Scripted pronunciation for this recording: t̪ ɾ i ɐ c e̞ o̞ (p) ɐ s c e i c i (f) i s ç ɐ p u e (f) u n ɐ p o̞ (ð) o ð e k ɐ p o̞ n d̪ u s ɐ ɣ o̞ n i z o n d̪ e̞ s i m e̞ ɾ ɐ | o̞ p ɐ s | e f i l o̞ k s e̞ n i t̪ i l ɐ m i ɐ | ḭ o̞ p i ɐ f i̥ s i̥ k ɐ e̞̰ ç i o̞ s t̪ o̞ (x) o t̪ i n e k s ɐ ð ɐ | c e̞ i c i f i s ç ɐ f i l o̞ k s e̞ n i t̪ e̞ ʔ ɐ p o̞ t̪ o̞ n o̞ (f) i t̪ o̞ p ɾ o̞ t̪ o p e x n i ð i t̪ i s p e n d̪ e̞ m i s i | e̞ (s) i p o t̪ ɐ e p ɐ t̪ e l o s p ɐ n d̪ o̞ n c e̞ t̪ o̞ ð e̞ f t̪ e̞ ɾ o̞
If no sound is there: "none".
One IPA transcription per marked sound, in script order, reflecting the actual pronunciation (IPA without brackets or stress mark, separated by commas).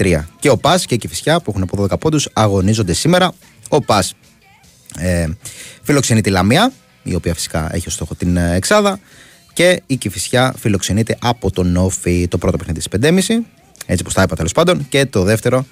p, f, x, ð, x, f, t͡s